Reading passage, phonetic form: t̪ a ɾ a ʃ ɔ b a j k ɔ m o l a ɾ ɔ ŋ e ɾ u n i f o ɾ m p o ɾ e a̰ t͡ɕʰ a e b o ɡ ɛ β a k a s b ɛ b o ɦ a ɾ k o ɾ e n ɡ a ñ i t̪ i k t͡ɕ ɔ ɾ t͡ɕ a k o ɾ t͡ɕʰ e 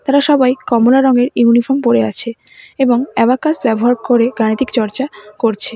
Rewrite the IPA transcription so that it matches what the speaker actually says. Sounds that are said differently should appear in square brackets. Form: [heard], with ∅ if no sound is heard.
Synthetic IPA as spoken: t̪ a ɾ a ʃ ɔ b a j k ɔ m o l a ɾ ɔ ŋ e ɾ u n i f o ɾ m p o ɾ e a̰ t͡ɕʰ [e] e b o [ŋ] ɛ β a k a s b ɛ b o ɦ a ɾ k o ɾ e [∅] ɡ a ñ i t̪ i k t͡ɕ ɔ ɾ t͡ɕ a k o ɾ t͡ɕʰ e